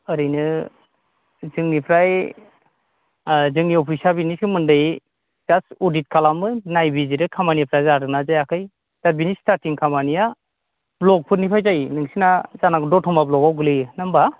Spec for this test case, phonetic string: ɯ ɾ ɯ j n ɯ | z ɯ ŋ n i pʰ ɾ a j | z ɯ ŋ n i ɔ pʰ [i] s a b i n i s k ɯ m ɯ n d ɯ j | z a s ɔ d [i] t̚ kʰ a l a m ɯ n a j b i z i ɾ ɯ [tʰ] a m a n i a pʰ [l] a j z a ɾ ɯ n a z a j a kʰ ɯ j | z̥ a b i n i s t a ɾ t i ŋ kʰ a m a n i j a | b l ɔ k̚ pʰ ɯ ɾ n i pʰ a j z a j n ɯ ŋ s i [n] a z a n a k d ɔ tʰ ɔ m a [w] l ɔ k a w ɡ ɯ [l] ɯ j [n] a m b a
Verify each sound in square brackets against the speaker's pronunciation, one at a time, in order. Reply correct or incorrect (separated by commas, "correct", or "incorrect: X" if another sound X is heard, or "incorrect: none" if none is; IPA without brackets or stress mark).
correct, correct, incorrect: kʰ, incorrect: ɾ, correct, incorrect: b, correct, correct